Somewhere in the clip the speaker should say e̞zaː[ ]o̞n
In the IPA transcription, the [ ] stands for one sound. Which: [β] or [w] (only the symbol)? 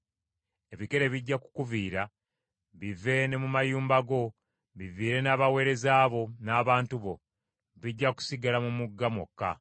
β